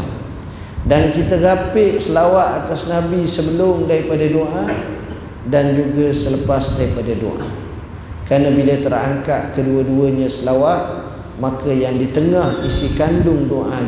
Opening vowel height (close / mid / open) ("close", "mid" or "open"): open